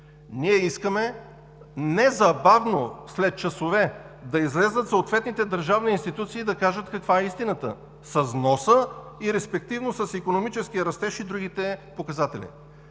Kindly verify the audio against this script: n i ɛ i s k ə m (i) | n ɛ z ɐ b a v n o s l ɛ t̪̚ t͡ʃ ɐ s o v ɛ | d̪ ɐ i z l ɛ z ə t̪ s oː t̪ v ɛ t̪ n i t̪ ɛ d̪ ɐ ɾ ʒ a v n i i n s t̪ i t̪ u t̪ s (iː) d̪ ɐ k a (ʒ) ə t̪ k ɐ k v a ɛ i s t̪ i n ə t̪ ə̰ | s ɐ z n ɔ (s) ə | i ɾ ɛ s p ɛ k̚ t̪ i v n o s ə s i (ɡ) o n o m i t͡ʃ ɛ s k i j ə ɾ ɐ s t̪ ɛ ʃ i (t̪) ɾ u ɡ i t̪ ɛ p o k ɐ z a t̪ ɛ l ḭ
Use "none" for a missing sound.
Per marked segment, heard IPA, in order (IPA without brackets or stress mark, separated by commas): ɛ, iː, ʒ, s, k, d̪